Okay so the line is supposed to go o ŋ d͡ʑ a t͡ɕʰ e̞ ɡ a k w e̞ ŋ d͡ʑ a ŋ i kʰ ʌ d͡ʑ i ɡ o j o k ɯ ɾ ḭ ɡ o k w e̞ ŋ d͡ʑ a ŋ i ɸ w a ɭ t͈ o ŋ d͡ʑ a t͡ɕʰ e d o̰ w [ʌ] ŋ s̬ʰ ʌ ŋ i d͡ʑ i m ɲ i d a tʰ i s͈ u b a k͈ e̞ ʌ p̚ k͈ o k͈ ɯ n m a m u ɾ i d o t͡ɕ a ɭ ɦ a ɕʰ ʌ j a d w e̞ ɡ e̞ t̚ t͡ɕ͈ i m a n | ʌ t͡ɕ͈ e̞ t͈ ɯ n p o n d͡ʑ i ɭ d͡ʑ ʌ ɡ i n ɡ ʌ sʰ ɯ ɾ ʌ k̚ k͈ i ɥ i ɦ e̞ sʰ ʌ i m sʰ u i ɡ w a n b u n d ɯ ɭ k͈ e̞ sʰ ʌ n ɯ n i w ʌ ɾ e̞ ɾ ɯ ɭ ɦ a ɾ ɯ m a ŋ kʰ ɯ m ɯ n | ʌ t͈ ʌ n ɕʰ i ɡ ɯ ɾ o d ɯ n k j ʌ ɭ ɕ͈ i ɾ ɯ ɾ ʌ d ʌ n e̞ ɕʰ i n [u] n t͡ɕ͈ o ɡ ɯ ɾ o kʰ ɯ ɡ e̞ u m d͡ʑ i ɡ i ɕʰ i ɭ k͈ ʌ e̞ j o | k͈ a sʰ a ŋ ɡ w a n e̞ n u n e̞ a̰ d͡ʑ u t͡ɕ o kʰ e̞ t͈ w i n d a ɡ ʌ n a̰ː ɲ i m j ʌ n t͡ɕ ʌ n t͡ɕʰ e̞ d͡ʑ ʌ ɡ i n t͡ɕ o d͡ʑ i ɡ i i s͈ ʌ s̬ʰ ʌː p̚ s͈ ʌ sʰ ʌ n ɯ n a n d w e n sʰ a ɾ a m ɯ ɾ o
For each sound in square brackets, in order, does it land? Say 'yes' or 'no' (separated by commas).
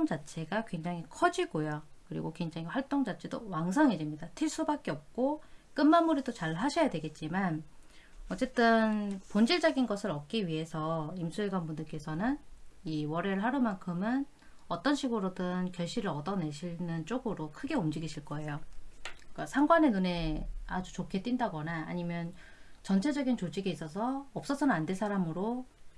no, no